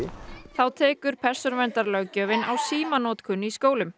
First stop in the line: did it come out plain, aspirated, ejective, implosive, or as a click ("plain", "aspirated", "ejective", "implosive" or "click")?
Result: aspirated